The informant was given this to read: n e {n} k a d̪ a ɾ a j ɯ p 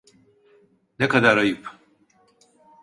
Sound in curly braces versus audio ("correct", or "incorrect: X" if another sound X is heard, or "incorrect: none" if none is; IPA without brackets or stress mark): incorrect: none